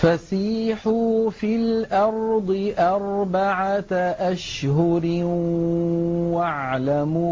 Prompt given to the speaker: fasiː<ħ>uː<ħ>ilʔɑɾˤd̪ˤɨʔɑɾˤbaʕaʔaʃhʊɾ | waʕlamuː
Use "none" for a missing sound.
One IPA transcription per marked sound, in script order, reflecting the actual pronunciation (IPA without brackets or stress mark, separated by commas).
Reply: ħ, f